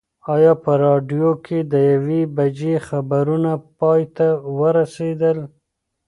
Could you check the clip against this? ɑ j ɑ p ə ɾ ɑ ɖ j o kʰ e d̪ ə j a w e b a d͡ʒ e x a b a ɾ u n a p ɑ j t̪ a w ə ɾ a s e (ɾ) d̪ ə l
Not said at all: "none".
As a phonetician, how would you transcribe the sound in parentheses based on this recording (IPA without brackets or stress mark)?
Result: none